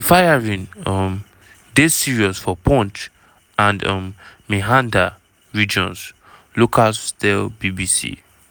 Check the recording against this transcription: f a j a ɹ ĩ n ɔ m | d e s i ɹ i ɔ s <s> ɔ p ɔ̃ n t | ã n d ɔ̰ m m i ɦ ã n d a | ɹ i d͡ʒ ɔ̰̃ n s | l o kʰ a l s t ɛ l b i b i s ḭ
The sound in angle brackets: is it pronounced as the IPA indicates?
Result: no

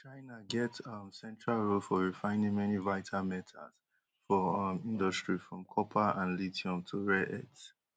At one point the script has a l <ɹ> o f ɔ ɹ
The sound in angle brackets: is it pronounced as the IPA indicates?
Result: yes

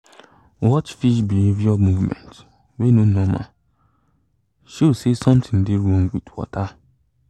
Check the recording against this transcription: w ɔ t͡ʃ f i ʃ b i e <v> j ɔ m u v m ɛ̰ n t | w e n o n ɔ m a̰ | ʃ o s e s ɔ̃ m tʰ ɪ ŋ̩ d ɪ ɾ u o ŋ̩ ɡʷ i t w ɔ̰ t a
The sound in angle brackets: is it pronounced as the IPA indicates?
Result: yes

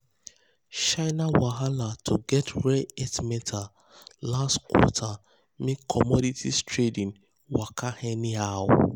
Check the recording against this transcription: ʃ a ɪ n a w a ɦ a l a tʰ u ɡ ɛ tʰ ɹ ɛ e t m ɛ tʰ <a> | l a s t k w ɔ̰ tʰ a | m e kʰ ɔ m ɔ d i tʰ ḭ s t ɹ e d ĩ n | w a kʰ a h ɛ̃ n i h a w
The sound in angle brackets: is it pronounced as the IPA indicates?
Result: yes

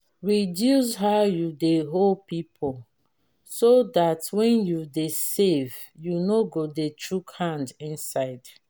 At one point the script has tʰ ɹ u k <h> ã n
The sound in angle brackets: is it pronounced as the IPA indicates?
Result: yes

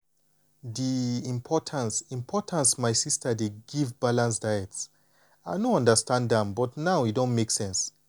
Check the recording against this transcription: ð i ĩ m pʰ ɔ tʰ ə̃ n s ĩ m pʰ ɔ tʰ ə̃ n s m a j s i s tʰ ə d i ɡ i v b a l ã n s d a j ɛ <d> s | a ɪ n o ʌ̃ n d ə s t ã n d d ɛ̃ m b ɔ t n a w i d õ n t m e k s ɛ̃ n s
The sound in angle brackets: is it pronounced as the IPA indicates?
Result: no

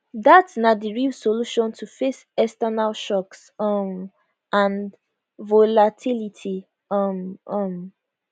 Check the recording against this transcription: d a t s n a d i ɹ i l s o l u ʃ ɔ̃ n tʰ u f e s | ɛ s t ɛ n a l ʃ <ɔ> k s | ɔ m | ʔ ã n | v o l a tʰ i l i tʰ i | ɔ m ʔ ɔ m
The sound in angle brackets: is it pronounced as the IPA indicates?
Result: yes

